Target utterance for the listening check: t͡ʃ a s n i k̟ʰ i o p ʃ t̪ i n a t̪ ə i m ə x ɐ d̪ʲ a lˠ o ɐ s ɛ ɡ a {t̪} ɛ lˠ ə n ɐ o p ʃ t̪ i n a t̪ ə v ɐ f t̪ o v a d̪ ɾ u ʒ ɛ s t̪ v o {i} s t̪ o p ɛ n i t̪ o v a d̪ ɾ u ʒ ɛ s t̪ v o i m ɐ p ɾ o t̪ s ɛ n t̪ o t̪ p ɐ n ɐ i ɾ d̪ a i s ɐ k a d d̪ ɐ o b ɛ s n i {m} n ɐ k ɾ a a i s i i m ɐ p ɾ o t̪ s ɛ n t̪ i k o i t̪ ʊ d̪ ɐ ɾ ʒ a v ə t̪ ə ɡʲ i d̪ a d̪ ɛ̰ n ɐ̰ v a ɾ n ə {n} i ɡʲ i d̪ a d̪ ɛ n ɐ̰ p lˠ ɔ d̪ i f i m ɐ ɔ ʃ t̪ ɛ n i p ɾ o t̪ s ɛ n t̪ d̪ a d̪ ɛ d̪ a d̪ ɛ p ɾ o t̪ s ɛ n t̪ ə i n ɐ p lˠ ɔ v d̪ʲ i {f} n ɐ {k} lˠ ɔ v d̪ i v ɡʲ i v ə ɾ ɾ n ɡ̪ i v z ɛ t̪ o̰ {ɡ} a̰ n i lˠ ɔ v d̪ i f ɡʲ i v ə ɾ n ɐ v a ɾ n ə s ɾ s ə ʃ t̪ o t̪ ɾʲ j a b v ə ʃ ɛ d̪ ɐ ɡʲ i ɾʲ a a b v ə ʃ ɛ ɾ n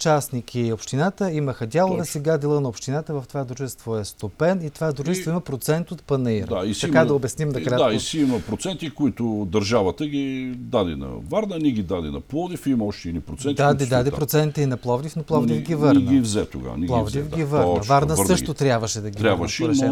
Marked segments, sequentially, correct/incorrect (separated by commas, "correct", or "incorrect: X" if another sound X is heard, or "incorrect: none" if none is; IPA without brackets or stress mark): incorrect: d̪, incorrect: ɛ, correct, correct, correct, incorrect: p, correct